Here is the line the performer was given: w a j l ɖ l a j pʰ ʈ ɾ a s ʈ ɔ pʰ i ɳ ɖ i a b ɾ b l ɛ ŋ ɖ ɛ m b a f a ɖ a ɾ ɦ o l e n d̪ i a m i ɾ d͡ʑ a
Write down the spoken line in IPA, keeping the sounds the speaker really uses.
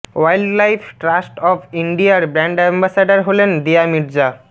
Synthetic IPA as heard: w a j l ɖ l a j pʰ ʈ ɾ a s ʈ ɔ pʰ i ɳ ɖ i a ɾ b ɾ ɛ ɳ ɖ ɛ m b a s a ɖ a ɾ ɦ o l e n d̪ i a m i ɾ d͡ʑ a